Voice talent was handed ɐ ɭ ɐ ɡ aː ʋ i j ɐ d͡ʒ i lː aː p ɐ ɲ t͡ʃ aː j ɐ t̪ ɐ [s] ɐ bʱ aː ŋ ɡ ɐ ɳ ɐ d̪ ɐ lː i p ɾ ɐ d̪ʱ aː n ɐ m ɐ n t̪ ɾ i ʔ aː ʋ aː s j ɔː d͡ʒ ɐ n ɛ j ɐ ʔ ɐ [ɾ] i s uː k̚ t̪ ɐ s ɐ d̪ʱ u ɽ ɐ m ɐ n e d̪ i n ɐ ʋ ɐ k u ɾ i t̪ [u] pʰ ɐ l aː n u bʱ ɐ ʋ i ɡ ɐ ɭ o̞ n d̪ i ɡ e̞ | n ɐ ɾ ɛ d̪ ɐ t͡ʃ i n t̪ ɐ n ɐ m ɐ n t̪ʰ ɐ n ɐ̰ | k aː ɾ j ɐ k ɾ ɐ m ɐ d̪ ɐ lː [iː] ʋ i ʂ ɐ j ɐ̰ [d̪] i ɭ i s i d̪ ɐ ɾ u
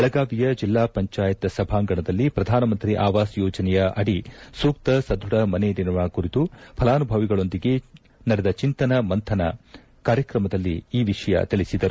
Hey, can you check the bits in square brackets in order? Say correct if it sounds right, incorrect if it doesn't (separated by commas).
correct, incorrect, correct, correct, incorrect